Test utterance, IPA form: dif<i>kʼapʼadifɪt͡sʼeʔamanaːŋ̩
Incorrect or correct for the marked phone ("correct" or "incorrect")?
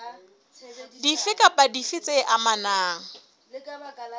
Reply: incorrect